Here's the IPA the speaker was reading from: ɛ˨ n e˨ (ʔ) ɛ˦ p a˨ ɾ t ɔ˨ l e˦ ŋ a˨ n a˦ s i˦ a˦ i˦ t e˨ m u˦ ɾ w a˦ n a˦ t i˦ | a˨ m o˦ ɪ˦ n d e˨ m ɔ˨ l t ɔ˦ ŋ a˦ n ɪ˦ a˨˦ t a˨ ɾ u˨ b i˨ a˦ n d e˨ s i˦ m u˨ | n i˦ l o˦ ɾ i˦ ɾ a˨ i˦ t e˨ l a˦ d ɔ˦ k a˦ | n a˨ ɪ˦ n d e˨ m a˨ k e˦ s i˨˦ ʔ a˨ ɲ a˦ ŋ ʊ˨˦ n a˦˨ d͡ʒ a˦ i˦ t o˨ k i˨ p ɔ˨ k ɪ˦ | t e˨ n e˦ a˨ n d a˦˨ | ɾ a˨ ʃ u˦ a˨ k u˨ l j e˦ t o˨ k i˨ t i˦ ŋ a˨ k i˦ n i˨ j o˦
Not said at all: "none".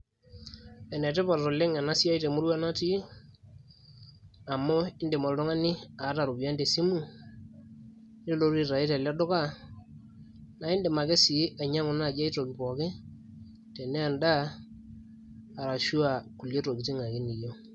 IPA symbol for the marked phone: t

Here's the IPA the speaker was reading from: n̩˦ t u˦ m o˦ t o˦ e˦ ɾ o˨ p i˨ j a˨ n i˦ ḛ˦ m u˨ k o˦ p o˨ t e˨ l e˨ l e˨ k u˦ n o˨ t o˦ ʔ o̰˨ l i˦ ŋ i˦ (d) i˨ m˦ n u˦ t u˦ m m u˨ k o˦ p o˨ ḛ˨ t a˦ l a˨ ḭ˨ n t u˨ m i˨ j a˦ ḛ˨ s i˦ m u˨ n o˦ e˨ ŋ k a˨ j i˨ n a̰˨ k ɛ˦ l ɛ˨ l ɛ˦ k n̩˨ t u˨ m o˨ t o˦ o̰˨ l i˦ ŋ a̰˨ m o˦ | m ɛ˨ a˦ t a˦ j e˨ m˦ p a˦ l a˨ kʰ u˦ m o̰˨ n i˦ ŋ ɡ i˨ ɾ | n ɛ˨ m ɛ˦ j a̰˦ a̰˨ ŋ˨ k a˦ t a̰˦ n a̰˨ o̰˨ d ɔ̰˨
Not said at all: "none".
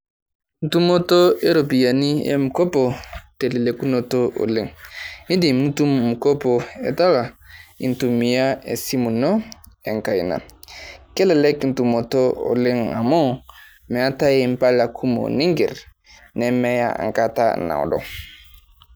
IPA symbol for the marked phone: d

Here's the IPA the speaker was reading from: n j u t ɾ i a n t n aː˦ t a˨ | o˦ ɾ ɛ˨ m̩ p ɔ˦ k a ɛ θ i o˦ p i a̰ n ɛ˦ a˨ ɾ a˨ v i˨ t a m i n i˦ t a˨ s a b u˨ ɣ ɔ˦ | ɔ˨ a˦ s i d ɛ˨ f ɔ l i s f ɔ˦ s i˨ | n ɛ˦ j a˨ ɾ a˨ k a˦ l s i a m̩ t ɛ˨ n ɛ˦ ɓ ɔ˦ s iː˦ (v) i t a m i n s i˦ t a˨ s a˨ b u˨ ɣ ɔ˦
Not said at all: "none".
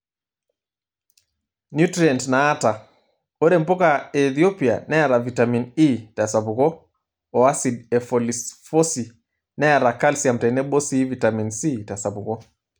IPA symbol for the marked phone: v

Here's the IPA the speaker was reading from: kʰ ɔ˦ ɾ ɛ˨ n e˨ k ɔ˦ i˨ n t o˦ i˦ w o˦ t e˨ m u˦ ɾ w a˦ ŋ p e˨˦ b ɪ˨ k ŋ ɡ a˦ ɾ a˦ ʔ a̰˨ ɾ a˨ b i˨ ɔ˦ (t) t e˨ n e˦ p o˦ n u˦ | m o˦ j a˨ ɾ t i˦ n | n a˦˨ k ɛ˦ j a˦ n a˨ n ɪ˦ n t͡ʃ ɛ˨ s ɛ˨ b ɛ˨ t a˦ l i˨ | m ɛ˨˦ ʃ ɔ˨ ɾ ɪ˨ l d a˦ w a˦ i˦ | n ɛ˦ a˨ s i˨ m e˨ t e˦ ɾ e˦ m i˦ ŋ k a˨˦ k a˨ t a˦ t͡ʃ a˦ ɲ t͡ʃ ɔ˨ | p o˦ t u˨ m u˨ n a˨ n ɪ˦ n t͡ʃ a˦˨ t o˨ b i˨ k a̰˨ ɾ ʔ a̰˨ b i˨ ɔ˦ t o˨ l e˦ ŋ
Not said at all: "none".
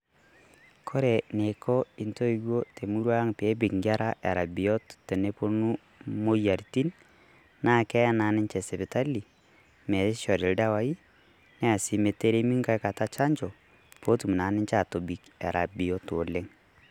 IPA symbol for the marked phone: t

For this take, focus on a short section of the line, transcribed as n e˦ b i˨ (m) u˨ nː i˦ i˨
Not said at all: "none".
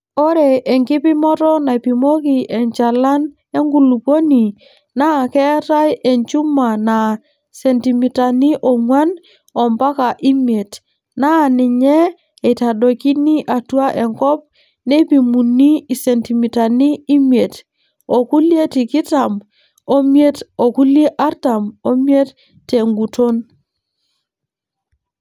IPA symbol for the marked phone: m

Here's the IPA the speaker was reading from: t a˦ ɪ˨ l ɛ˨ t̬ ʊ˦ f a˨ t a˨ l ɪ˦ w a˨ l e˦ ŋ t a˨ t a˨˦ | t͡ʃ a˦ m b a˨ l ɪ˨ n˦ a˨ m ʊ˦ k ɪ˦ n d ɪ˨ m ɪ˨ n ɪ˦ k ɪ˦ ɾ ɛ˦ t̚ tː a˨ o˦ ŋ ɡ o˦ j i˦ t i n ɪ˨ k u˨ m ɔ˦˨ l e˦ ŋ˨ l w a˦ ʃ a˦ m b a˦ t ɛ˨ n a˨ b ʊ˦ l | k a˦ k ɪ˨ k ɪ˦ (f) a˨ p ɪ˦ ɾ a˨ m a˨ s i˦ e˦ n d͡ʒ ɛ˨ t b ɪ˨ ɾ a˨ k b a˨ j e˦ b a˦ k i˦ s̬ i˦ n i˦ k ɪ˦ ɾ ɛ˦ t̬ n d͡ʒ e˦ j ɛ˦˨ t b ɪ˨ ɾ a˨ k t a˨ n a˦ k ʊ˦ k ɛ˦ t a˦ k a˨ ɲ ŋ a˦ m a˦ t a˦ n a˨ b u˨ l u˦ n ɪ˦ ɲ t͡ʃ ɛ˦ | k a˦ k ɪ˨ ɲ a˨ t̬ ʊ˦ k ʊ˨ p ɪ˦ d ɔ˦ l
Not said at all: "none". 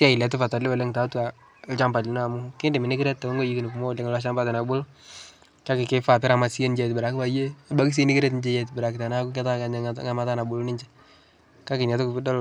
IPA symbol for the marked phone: f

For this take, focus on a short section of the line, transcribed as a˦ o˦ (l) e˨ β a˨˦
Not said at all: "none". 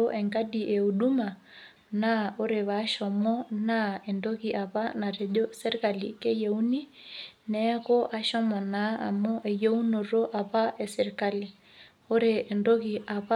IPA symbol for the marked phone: ɾ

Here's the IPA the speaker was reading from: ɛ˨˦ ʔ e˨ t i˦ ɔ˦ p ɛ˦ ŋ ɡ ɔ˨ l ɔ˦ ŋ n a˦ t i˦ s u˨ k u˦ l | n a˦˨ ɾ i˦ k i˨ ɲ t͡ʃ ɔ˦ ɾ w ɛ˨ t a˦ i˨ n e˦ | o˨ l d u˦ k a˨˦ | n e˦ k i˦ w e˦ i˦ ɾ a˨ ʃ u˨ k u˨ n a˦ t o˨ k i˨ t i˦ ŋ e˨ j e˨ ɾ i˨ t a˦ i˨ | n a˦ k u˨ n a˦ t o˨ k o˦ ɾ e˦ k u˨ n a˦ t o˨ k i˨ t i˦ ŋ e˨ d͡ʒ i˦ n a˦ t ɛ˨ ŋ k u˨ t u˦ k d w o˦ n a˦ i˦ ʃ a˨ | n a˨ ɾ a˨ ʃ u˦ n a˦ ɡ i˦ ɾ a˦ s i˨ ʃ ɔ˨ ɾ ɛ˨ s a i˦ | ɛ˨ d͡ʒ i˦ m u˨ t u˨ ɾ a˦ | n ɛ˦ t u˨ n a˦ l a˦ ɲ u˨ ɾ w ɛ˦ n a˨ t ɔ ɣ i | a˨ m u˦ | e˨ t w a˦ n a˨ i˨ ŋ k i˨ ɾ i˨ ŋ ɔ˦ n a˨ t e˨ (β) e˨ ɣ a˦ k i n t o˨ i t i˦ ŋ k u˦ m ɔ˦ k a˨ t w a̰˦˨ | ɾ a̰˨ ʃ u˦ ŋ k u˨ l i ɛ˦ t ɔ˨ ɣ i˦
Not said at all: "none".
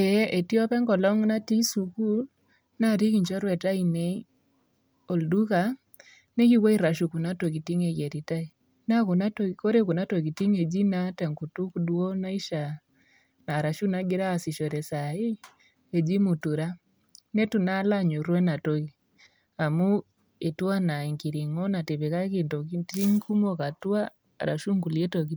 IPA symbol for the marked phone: β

